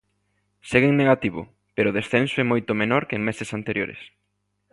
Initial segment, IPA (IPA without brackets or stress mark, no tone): s